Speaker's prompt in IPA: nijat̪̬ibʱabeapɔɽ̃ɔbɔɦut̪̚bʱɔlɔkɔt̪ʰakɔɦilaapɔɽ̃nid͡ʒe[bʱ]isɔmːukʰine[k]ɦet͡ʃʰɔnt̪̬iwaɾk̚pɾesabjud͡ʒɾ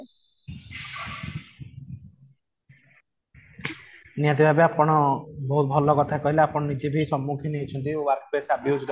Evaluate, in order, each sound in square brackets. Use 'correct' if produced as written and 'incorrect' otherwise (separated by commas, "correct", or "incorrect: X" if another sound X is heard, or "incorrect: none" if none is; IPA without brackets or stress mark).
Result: correct, incorrect: none